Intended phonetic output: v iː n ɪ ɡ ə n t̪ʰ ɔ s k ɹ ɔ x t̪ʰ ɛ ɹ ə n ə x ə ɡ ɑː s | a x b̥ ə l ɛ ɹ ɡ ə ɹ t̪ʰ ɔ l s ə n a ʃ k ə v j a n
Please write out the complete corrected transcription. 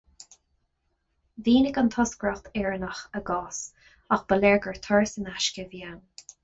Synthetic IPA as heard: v iː n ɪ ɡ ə n t̪ʰ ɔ s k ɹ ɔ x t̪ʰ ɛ ɹ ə n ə x ə ɡ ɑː s | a x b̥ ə l ɛ ɹ ɡ ə ɹ t̪ʰ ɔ ɹ s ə n a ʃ k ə v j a n

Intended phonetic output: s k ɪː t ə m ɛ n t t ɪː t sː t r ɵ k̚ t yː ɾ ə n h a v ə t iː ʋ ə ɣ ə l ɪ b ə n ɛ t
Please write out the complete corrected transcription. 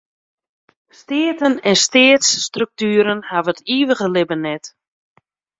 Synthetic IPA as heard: s t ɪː t ə n ɛ n s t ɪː t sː t r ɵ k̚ t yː ɾ ə n h a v ə t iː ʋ ə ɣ ə l ɪ b ə n ɛ t

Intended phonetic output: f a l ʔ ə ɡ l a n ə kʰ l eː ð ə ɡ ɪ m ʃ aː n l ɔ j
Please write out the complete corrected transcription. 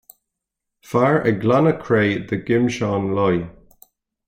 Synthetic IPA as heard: f a ɹ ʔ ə ɡ l a n ə kʰ ɹ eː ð ə ɡ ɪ m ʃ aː n l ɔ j

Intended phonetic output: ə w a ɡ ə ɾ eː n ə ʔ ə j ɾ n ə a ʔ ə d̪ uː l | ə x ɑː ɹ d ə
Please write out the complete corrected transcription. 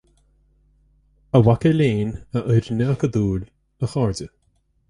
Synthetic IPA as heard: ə w a k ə l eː n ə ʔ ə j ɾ n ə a k ə d̪ uː l | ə x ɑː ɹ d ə

